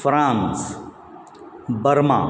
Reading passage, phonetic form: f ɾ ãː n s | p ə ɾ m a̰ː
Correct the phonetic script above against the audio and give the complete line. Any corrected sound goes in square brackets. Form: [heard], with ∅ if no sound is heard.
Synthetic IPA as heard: f ɾ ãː n s | [b] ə ɾ m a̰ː